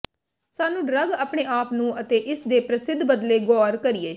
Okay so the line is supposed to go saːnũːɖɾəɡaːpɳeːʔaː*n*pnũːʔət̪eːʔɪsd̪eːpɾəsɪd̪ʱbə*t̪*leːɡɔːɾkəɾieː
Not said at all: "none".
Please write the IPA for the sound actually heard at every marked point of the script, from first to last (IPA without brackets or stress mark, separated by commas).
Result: none, d̪